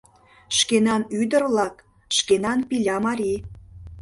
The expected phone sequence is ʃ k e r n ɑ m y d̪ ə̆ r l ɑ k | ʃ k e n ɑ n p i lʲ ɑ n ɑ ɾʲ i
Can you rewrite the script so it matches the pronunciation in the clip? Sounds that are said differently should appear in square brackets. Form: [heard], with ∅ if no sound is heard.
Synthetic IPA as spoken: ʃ k e [∅] n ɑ [n] y d̪ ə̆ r l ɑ k | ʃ k e n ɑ n p i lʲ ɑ [m] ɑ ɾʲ i